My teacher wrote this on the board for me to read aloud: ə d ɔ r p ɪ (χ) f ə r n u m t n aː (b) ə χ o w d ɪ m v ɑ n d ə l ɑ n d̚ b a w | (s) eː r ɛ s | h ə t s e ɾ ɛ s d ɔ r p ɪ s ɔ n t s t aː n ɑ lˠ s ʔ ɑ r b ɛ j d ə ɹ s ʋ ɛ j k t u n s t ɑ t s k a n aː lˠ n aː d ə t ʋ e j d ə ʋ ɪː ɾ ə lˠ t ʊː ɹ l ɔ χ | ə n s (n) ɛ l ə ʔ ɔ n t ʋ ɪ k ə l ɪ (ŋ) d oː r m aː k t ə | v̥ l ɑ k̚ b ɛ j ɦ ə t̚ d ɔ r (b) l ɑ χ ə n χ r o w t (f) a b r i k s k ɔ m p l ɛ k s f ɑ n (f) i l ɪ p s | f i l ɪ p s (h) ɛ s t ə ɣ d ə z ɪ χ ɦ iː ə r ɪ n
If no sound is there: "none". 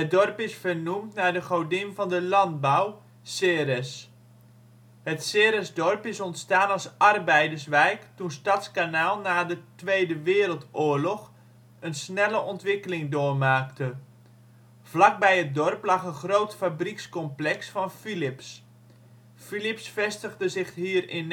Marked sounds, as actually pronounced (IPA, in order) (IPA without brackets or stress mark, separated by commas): s, d, s, n, ŋ, p, f, f, f